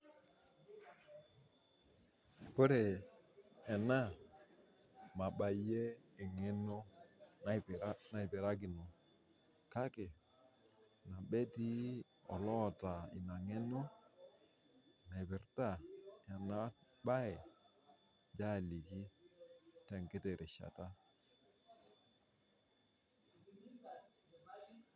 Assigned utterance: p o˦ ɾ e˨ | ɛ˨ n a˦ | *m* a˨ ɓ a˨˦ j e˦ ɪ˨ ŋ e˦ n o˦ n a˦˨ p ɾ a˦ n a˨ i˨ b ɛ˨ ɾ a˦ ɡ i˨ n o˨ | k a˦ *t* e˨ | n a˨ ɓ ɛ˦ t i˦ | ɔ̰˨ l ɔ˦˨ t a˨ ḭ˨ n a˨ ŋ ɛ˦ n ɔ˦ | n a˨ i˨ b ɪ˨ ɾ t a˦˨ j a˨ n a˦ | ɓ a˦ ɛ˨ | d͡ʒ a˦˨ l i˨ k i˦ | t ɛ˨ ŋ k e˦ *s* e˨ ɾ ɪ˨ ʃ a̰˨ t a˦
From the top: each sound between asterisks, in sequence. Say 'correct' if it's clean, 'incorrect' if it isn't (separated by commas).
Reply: correct, incorrect, incorrect